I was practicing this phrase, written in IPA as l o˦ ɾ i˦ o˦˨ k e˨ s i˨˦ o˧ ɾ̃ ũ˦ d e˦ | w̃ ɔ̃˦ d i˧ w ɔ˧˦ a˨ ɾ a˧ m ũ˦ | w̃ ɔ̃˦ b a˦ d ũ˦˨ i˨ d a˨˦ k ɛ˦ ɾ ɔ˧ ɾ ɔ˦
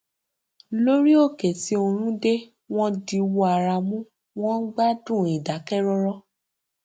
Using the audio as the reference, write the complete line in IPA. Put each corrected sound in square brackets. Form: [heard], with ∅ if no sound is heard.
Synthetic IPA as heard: l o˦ ɾ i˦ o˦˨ k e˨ [t] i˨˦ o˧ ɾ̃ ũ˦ d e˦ | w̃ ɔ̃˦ d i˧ w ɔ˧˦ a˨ ɾ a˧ m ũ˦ | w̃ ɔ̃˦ [ɡ͡b] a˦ d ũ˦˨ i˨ d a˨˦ k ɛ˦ ɾ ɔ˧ ɾ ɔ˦